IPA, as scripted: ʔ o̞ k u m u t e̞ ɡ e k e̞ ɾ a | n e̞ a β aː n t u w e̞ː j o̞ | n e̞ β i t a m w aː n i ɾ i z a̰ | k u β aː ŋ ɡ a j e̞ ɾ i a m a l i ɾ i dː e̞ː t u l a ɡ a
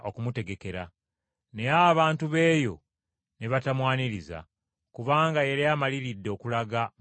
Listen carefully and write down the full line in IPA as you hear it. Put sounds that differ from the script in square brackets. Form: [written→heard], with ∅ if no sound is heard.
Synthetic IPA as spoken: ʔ o̞ k u m u t e̞ ɡ e k e̞ ɾ a | n e̞ a β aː n t u [w→β] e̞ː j o̞ | n e̞ β [i→a] t a m w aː n i ɾ i z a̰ | k u β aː ŋ ɡ a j e̞ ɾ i a m a l i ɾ i dː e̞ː [t→k] u l a ɡ a